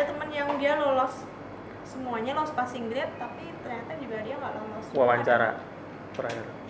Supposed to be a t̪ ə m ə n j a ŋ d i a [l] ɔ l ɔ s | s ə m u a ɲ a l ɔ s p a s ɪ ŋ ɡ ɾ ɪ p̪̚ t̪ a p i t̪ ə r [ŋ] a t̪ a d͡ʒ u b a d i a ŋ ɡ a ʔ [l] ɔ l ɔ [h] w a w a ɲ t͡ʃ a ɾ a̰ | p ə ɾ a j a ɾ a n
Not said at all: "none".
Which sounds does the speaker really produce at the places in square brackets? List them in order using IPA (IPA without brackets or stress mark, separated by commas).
l, ɲ, l, s